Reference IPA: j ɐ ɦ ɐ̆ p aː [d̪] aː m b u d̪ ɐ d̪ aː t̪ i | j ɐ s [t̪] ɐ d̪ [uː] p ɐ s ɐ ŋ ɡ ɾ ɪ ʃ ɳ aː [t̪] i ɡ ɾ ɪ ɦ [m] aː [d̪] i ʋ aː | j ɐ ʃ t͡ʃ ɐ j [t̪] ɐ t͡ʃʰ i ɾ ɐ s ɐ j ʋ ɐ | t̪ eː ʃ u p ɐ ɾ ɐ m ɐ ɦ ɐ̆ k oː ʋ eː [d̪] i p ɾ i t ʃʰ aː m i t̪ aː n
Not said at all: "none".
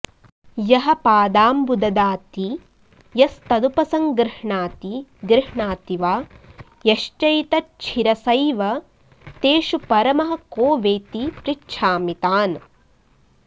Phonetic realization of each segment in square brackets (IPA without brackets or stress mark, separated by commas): d̪, t̪, u, t̪, ɳ, t̪, t̪, t̪